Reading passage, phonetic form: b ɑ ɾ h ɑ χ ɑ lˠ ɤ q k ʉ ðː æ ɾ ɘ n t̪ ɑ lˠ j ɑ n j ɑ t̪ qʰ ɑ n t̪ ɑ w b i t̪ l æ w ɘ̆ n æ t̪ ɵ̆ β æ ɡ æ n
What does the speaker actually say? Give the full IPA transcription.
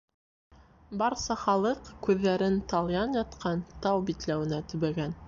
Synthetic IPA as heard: b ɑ ɾ s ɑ χ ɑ lˠ ɤ q k ʉ ðː æ ɾ ɘ n t̪ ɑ lˠ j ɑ n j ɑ t̪ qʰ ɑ n t̪ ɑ w b i t̪ l æ w ɘ̆ n æ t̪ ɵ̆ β æ ɡ æ n